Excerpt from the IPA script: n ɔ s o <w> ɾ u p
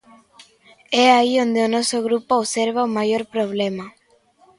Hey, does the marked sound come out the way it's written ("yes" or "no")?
no